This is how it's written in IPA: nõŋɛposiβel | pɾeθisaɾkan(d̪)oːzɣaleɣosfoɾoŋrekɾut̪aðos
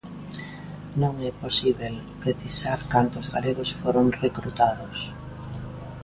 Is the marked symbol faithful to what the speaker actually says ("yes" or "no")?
no